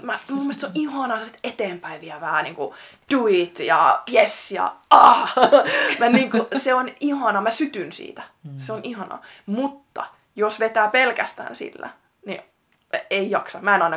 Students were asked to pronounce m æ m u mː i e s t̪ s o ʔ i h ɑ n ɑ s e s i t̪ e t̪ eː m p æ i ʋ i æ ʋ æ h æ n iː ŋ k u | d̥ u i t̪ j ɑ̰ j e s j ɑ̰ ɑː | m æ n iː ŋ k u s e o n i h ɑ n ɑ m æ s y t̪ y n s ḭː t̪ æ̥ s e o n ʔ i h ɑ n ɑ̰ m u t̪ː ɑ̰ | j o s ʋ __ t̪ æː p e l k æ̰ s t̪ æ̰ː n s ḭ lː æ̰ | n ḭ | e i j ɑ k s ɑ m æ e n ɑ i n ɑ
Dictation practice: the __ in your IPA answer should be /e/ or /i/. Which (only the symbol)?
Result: e